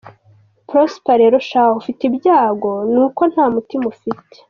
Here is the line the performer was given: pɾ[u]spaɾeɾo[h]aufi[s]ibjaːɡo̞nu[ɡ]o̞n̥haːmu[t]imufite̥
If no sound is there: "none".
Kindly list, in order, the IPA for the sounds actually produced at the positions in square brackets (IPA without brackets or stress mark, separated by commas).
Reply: o, ʃ, t, k, t